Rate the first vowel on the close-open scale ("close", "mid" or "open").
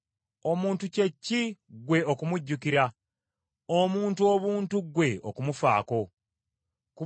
mid